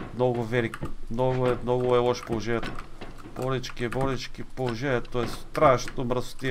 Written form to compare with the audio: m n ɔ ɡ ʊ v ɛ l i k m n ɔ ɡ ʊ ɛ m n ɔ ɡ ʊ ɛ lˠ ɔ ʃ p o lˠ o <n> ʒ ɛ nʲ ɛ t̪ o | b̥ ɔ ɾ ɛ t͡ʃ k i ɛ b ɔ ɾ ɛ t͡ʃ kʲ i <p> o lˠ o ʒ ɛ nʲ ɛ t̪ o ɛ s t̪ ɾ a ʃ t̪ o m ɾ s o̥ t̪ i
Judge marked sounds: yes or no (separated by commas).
no, yes